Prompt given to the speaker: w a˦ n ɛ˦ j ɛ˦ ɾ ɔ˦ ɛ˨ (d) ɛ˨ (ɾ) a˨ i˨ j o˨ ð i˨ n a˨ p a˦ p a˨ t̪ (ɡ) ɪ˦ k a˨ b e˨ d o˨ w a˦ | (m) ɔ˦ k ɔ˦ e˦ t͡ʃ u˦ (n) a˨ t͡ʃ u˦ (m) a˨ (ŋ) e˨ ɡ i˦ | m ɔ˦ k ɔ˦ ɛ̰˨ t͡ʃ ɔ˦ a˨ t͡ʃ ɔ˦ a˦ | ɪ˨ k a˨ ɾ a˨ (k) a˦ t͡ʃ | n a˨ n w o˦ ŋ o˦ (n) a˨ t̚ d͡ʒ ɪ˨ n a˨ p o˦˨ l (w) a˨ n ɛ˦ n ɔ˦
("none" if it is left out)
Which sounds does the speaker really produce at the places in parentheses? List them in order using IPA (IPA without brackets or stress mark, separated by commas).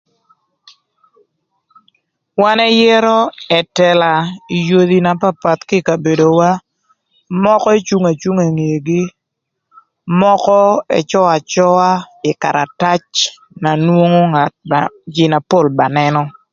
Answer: t, l, k, m, ŋ, ŋ, ŋ, t, ŋ, b